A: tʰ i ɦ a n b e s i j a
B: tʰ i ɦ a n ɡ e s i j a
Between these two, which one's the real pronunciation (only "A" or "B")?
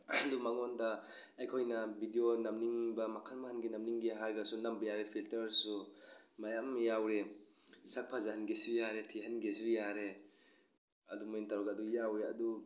B